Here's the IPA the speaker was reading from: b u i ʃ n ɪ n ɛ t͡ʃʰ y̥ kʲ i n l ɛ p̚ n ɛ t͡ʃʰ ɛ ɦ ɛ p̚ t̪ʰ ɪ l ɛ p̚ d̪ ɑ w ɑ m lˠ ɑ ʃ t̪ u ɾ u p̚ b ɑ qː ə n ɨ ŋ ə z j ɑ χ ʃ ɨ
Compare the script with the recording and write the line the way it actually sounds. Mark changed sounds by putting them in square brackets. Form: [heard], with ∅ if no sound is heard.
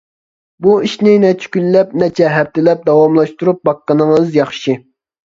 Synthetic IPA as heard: b u i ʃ n ɪ n ɛ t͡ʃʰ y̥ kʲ [y] n l ɛ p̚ n ɛ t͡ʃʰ ɛ ɦ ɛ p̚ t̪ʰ ɪ l ɛ p̚ d̪ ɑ w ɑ m lˠ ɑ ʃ t̪ u ɾ u p̚ b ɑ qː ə n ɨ ŋ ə z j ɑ χ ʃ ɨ